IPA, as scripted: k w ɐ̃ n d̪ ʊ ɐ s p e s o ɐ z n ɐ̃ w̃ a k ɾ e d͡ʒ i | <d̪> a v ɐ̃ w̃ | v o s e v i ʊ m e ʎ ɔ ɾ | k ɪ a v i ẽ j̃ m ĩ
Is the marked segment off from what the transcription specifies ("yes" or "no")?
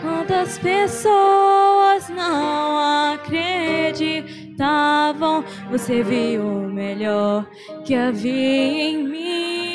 yes